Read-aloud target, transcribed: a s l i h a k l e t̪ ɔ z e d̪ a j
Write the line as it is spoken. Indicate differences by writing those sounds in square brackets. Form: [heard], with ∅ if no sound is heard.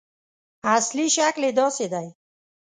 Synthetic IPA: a s l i [ʃ] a k l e [d̪] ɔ [s] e d̪ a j